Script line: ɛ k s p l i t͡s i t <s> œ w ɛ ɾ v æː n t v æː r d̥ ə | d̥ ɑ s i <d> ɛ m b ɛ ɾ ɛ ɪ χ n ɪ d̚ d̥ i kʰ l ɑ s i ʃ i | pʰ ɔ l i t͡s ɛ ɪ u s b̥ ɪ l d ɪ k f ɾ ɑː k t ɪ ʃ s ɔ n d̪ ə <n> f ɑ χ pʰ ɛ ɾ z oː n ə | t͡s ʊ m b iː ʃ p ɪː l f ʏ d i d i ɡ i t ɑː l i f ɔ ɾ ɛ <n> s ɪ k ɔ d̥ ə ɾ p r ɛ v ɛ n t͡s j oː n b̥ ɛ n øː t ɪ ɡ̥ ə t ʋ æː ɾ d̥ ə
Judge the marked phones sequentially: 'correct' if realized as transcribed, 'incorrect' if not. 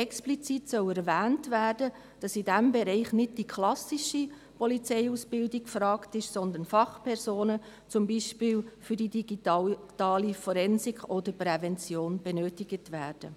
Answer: correct, correct, correct, correct

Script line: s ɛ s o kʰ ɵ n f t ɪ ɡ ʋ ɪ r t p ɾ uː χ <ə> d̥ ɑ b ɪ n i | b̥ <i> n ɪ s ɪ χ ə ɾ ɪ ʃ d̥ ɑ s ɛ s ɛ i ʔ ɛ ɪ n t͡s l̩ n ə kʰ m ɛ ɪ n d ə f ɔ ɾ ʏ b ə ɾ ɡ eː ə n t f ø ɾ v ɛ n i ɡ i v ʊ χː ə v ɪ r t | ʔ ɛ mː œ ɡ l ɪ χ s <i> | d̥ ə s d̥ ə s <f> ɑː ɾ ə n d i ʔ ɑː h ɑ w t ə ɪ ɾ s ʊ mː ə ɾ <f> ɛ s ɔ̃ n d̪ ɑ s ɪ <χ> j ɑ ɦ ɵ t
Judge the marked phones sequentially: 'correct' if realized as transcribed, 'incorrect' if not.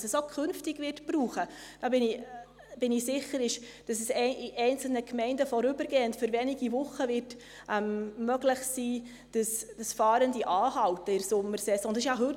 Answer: correct, incorrect: ɪ, incorrect: iː, correct, incorrect: s, incorrect: ʃ

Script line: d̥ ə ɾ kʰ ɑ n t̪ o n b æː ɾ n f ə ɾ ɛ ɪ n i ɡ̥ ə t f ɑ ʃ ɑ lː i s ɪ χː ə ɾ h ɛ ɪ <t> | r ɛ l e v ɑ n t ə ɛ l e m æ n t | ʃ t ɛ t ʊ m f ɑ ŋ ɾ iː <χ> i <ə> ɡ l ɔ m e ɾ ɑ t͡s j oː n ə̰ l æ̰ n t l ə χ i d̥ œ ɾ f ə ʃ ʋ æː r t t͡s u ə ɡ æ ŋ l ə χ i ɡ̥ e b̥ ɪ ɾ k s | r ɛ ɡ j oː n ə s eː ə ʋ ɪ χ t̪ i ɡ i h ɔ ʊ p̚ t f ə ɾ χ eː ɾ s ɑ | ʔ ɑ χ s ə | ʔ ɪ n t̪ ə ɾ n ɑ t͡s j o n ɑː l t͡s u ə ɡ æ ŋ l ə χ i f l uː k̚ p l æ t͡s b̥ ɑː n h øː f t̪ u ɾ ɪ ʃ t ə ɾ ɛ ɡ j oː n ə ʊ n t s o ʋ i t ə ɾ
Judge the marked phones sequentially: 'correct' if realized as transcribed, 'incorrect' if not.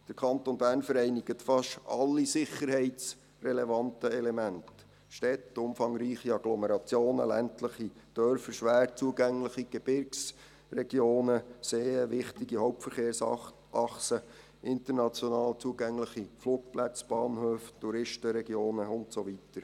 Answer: incorrect: t͡s, correct, incorrect: ɑ

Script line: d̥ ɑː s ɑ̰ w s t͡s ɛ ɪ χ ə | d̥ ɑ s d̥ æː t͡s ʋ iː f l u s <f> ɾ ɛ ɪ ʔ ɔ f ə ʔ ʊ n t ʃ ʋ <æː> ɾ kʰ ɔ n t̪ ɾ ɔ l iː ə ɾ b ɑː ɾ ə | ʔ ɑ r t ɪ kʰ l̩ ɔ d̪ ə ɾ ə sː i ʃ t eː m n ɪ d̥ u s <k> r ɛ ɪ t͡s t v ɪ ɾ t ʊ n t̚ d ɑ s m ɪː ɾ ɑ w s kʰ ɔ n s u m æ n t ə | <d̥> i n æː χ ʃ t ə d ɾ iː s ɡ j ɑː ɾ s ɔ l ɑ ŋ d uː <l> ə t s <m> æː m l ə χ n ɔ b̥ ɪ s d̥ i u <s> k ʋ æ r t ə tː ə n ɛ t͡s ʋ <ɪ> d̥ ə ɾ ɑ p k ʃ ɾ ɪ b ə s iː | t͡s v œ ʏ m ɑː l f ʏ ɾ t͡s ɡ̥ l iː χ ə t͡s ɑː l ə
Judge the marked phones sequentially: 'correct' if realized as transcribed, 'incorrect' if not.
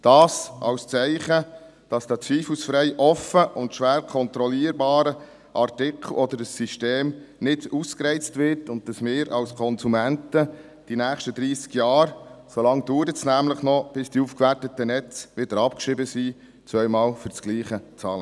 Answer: correct, correct, correct, correct, incorrect: ɾ, incorrect: n, incorrect: f, correct

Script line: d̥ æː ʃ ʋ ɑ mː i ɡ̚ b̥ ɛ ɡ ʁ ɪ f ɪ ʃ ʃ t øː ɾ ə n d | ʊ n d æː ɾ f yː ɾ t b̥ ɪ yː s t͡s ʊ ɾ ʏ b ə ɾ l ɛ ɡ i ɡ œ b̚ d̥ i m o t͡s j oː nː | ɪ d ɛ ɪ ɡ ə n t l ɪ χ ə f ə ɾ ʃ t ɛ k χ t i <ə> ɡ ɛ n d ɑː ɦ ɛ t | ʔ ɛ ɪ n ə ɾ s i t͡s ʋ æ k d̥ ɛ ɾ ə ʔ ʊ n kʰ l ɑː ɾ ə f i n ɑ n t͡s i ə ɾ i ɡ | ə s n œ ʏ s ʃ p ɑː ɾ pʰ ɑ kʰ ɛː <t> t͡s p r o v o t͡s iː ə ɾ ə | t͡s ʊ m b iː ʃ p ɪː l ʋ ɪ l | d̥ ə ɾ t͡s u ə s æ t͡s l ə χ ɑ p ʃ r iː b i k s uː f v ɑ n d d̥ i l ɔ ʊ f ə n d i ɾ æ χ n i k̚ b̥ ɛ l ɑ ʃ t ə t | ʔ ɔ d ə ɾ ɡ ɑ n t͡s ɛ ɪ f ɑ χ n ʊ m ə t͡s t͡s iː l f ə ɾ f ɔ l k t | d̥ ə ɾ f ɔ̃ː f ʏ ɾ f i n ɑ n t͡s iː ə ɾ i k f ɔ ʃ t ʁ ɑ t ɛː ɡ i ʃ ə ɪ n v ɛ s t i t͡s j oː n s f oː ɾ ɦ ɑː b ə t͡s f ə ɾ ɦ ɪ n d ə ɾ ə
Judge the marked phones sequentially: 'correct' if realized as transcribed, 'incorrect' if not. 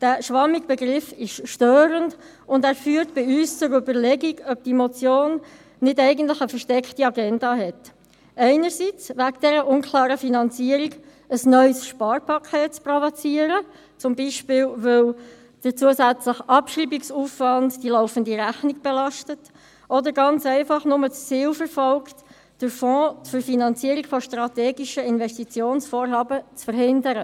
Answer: incorrect: ɑ, correct

